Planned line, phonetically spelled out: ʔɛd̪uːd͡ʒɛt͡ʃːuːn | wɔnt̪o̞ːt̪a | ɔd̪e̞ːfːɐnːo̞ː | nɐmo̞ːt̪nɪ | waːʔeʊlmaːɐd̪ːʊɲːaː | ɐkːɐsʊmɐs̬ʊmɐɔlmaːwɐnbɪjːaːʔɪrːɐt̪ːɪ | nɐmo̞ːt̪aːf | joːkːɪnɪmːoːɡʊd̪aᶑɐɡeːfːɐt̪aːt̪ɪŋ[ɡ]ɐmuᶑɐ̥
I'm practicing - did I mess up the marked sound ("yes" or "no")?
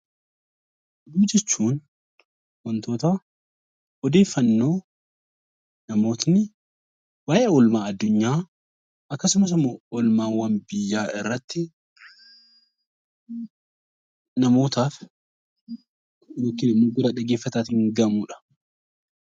no